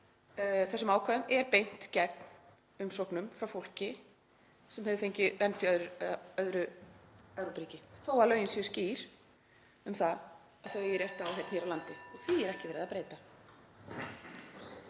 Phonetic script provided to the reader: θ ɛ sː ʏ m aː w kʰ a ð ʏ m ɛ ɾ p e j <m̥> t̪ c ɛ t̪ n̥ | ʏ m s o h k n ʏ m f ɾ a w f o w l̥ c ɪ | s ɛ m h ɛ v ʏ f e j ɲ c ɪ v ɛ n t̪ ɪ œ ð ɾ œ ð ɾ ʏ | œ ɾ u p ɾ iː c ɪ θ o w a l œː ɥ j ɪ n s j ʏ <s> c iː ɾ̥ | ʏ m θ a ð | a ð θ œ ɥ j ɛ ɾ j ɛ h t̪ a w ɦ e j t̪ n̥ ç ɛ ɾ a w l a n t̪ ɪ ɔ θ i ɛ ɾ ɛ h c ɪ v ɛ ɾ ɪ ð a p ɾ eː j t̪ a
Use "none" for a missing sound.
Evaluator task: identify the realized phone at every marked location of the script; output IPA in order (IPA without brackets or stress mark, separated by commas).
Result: n̥, s